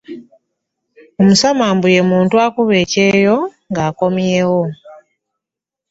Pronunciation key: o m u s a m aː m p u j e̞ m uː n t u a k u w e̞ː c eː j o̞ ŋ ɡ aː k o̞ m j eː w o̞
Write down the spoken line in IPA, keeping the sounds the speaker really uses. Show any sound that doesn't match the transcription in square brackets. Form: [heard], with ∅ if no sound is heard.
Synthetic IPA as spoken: o m u s a m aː m [b] u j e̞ m uː n t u a k u [β] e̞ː c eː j o̞ ŋ ɡ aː k o̞ m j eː w o̞